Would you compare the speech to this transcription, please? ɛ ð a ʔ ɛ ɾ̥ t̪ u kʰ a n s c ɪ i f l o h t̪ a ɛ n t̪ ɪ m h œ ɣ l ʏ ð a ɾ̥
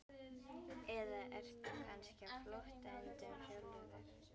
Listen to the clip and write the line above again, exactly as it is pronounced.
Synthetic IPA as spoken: ɛ ð a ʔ ɛ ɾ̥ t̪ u kʰ a n s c ɪ a f l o h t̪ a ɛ n t̪ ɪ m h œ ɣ l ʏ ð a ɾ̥